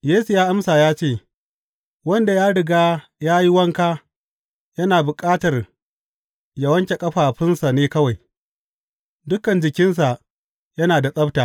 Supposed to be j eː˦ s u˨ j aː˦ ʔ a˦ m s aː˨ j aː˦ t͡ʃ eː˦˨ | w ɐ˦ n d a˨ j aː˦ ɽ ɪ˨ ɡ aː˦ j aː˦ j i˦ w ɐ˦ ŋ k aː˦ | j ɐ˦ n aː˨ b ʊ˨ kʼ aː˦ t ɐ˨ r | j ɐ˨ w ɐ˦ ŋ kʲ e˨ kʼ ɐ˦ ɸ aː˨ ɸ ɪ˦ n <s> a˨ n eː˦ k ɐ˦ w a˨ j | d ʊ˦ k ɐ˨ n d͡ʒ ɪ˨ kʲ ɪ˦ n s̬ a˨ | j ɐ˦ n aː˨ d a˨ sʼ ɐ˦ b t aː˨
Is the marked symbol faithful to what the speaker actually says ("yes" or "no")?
yes